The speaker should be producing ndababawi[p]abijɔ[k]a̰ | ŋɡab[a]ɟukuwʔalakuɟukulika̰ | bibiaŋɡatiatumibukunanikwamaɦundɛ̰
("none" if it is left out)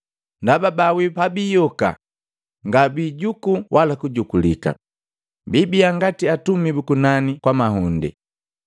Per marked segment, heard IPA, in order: p, k, i

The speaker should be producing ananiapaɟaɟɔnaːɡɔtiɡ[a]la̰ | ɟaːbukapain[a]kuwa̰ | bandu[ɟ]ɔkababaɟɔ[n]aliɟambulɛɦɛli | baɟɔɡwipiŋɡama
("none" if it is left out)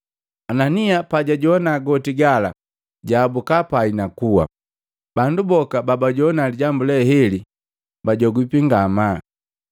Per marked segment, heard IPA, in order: a, a, b, n

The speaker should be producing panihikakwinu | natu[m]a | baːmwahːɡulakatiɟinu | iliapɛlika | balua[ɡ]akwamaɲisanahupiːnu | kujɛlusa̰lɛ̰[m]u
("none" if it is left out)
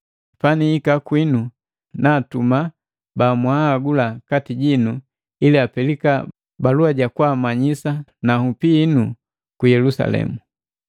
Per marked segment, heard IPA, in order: m, ɟ, m

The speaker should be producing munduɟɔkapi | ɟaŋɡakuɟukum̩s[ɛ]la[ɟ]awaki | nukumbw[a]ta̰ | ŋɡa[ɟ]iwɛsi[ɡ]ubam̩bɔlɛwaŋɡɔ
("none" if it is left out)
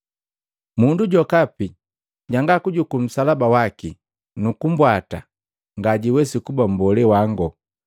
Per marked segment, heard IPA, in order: a, b, a, ɟ, k

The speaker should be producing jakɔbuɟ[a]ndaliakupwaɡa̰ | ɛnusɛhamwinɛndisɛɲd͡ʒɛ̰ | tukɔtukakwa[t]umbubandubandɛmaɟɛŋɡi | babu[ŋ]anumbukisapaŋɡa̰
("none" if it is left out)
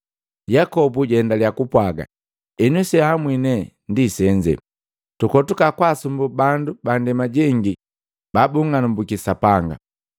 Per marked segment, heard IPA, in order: ɛ, s, ŋ

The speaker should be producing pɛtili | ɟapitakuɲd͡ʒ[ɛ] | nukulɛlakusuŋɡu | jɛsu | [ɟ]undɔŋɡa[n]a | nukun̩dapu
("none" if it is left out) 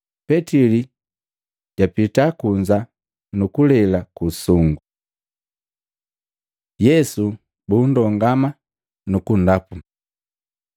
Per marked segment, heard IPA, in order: a, b, m

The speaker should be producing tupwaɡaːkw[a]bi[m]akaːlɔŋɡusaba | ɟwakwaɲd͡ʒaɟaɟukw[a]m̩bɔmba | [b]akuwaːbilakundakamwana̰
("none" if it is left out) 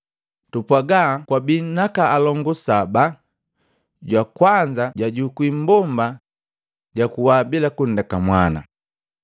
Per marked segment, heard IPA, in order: a, n, i, ɟ

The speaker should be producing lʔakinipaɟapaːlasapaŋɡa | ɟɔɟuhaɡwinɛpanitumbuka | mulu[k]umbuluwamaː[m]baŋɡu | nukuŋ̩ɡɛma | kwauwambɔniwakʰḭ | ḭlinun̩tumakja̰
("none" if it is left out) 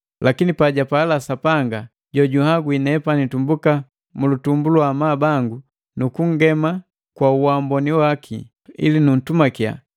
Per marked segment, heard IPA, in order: t, none

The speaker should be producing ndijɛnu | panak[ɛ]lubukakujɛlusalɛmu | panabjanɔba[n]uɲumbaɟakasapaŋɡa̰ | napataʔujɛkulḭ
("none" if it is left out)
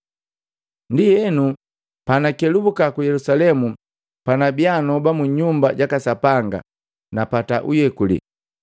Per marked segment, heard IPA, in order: ɛ, m

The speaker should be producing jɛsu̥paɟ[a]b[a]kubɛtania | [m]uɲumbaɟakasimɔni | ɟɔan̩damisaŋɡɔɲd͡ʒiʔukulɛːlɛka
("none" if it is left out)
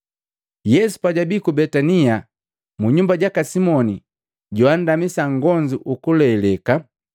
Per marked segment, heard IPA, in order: a, i, m

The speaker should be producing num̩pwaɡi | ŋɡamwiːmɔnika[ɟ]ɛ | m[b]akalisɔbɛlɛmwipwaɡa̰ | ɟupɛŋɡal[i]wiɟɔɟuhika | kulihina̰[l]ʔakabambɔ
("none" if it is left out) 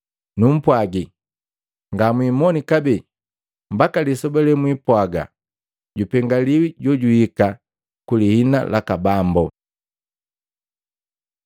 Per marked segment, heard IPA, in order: b, b, i, l

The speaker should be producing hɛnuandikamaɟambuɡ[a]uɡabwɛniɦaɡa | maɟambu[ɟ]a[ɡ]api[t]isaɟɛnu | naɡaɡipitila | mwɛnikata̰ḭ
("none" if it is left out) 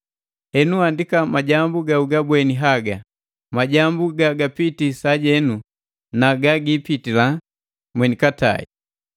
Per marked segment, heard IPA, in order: a, ɡ, ɡ, t

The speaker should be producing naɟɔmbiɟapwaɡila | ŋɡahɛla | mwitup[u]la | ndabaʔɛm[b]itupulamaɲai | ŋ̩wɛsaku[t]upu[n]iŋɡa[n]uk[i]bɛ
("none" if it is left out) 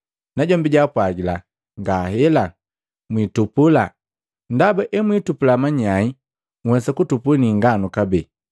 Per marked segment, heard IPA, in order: u, w, t, n, n, a

